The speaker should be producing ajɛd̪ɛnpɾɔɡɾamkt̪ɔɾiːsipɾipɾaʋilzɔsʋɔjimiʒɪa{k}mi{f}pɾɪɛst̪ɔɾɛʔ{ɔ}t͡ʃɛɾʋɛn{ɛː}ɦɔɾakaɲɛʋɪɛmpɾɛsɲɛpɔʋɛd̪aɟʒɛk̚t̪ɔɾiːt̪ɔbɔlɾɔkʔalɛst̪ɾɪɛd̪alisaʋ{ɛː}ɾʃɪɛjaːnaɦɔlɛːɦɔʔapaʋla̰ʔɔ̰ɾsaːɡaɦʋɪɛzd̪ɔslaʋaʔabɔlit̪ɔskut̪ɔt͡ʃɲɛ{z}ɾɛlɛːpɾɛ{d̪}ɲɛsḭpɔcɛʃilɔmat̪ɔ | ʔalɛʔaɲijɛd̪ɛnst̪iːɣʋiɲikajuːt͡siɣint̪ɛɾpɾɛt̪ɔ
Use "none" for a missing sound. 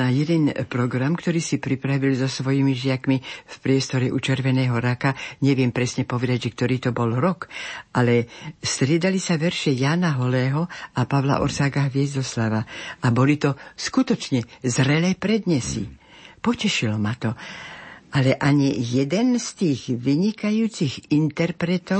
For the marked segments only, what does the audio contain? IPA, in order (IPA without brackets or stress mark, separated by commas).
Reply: k, f, u, ɛː, ɛ, z, d̪